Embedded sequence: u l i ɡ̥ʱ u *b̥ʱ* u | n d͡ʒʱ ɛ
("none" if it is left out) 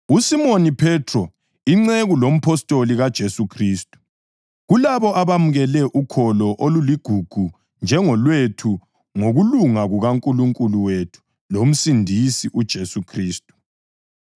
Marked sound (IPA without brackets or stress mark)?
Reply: ɡ̥ʱ